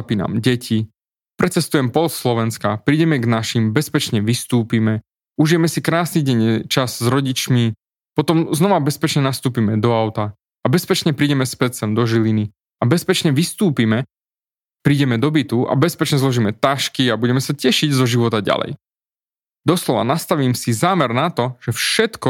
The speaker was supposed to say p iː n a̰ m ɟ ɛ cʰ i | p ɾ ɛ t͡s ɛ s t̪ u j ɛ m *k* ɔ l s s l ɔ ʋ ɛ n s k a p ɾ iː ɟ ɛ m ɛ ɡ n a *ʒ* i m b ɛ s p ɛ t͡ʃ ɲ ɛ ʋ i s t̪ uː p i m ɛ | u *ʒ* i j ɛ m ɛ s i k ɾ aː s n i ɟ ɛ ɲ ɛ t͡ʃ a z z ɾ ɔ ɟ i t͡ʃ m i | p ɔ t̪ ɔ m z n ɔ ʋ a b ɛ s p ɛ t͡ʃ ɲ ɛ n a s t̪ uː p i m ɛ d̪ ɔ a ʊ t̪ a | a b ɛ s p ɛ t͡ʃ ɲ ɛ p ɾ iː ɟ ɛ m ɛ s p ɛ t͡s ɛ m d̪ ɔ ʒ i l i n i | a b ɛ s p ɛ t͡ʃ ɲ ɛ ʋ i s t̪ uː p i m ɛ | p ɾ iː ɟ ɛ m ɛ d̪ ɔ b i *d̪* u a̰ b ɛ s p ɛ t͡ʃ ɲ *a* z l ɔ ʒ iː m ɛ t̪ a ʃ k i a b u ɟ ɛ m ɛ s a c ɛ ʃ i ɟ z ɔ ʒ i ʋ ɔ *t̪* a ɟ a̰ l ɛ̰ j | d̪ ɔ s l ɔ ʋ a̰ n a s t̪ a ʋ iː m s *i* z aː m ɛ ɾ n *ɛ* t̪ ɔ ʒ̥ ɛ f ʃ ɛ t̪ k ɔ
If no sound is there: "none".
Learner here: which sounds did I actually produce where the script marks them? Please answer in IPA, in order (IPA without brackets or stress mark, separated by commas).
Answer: p, ʃ, ʒ, t̪, ɛ, t̪, i, a